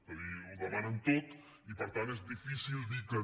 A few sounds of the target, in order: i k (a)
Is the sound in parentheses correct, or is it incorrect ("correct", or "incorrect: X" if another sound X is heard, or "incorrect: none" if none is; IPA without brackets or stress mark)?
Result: incorrect: ə